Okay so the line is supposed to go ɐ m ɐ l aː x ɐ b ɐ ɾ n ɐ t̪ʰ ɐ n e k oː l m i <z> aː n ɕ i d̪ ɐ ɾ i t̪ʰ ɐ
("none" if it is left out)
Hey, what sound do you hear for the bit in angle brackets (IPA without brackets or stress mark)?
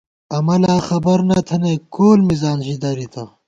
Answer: z